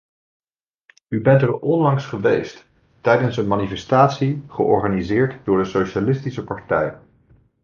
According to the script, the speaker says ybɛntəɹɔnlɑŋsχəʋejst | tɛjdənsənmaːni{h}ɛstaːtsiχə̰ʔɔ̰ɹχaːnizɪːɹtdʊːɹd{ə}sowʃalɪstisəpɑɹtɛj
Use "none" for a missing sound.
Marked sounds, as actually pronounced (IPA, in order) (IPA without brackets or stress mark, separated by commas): f, ə